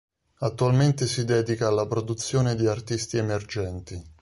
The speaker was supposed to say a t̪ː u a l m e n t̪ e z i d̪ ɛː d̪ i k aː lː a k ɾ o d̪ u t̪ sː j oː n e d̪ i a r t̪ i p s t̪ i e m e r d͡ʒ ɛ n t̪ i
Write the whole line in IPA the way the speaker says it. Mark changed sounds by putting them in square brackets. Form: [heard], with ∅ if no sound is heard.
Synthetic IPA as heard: a t̪ː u a l m e n t̪ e [s] i d̪ ɛː d̪ i k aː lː a [p] ɾ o d̪ u t̪ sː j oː n e d̪ i a r t̪ i [∅] s t̪ i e m e r d͡ʒ ɛ n t̪ i